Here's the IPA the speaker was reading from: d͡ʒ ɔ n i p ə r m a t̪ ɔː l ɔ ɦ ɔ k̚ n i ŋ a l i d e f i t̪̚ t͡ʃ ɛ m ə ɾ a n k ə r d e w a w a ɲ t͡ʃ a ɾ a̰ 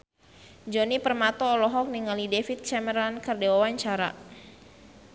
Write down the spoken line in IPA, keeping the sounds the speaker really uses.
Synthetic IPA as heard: d͡ʒ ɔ n i p ə r m a t̪ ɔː l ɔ ɦ ɔ k̚ n i ŋ a l i d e f i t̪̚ t͡ʃ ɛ m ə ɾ a n k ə r d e w a w a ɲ t͡ʃ a ɾ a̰